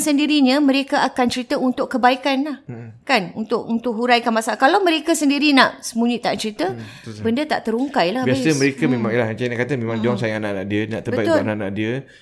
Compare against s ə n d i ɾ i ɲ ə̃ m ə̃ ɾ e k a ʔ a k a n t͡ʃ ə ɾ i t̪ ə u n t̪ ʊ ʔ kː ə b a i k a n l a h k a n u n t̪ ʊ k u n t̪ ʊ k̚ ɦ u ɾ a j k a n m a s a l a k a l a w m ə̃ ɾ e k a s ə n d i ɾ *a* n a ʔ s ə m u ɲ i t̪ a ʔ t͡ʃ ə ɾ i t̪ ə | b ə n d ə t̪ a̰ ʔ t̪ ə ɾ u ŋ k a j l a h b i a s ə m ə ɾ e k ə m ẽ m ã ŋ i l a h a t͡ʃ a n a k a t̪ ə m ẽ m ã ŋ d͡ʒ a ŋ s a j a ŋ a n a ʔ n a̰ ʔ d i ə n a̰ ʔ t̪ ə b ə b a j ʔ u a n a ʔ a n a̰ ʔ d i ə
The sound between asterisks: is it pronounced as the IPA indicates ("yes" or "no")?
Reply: no